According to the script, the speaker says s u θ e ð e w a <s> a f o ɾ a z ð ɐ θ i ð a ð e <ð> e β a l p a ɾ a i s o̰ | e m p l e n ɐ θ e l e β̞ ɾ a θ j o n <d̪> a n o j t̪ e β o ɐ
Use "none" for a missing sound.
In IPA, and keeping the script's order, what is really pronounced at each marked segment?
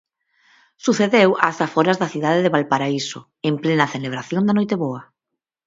s, ð, d̪

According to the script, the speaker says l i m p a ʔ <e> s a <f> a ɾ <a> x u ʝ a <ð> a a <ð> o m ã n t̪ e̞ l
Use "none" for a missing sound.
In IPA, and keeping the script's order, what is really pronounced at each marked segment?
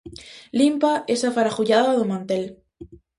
e, f, a, ð, ð

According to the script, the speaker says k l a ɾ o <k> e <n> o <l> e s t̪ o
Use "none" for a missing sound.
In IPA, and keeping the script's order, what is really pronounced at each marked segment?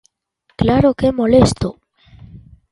k, m, l

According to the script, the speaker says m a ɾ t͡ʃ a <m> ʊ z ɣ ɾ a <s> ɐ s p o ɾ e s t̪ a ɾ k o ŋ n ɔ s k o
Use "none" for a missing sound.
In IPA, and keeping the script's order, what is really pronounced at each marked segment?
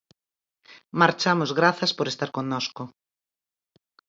m, θ

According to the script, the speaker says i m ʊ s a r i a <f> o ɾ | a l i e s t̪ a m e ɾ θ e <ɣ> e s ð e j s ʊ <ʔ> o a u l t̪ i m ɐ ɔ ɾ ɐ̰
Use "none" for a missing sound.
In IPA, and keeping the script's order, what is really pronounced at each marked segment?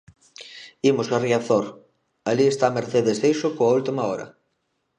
θ, ð, k

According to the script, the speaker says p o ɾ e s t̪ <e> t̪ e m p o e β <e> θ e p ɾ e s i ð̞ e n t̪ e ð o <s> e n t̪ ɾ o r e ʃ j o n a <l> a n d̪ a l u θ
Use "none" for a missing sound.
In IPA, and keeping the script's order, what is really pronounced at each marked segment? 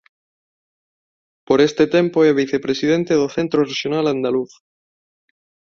e, i, θ, l

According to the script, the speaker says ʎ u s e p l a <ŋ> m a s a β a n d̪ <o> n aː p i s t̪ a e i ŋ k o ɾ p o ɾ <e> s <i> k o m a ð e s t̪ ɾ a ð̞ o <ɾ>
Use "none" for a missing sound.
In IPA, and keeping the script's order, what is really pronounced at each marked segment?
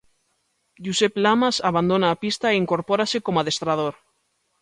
none, o, a, e, ɾ

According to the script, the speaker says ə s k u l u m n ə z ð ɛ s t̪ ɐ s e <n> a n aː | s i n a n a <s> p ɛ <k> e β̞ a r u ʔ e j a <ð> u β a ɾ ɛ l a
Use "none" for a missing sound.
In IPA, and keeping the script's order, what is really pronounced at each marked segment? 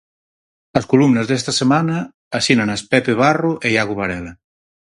m, s, p, ɣ

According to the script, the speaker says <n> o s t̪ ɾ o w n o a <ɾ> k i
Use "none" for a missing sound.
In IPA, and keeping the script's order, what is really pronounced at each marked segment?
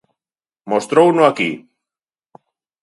m, none

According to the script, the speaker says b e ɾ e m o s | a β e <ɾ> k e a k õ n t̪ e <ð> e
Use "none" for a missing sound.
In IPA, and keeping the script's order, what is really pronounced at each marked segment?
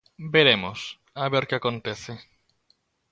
ɾ, θ

